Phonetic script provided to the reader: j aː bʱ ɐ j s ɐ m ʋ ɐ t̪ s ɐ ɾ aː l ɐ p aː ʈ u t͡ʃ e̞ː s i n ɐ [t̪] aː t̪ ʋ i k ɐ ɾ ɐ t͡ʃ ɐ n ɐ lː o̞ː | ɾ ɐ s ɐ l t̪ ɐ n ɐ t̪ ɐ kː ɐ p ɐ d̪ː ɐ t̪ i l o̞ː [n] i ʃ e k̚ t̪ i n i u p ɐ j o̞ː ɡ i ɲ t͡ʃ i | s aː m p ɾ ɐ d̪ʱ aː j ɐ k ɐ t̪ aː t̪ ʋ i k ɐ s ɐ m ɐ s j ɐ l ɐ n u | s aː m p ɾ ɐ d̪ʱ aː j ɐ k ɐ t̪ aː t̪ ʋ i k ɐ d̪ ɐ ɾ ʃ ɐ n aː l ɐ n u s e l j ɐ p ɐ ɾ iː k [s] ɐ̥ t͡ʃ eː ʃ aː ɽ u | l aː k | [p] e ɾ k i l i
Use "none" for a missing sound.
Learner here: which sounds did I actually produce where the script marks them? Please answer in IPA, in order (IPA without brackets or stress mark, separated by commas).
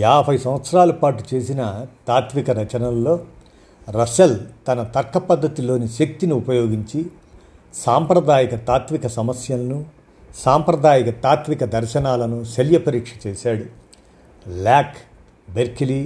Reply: t̪, n, ʂ, b